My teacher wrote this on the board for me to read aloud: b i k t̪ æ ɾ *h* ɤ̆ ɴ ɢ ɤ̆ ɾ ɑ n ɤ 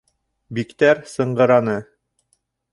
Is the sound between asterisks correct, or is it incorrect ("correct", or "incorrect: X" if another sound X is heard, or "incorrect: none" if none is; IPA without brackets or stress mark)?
incorrect: s